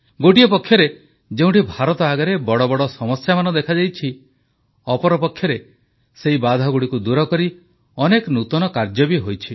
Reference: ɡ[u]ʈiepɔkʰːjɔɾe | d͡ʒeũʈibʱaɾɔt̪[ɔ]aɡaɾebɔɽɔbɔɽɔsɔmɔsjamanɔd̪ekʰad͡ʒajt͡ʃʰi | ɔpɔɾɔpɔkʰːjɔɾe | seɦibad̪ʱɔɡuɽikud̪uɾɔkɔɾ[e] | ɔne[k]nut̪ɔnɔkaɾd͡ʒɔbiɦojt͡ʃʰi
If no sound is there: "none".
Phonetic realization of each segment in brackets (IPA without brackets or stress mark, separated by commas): o, ɔ, i, k